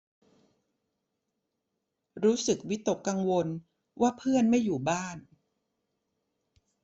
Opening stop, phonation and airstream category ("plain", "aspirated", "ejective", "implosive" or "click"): plain